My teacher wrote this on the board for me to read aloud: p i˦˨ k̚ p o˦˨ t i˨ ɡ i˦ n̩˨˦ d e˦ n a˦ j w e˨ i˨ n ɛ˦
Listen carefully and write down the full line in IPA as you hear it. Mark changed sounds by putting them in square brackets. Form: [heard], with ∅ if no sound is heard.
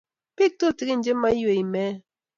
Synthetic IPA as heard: p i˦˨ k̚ [t] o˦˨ t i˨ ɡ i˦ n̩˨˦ [d͡ʒ] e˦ [m] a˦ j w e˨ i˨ [m] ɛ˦